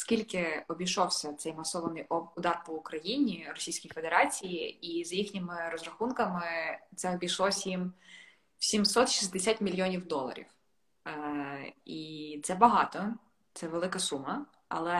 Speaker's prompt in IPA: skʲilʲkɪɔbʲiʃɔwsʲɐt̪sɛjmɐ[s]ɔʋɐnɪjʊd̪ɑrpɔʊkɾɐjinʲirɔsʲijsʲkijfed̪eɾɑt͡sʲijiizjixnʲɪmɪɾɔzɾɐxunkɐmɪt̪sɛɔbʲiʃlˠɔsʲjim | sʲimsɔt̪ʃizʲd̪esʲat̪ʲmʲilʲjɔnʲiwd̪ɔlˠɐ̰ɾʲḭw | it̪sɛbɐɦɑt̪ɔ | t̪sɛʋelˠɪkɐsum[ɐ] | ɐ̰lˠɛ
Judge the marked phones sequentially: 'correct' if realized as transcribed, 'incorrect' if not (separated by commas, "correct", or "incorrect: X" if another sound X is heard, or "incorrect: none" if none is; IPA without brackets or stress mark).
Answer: correct, correct